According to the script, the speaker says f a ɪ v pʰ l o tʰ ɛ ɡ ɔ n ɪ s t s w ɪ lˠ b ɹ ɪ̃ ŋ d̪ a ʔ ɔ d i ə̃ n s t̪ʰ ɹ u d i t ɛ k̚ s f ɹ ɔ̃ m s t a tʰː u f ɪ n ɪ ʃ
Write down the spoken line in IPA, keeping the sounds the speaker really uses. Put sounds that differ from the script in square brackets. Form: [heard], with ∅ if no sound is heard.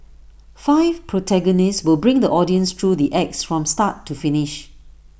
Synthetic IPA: f a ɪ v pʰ [ɹ] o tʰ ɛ ɡ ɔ n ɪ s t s w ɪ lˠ b ɹ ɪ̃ ŋ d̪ [ə] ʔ ɔ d i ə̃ n s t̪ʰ ɹ u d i [ʔ] ɛ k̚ s f ɹ ɔ̃ m s t a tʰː u f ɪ n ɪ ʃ